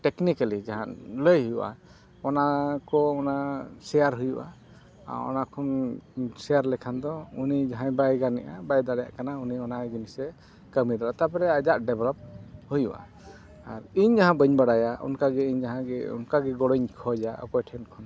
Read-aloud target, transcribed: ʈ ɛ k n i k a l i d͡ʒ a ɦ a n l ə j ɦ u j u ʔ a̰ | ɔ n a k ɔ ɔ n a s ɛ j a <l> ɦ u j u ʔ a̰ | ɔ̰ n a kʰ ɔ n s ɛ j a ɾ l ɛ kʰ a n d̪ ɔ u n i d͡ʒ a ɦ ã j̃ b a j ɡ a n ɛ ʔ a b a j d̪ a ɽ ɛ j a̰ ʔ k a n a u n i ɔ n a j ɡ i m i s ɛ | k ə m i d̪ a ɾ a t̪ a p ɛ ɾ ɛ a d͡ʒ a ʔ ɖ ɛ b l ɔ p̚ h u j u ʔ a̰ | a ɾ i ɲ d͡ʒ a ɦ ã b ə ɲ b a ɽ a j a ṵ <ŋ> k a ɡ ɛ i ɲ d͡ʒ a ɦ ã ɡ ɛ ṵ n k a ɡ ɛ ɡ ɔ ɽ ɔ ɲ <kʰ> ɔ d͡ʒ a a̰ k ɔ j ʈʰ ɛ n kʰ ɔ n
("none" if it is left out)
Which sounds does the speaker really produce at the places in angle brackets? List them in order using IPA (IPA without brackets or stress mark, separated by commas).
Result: ɾ, n, kʰ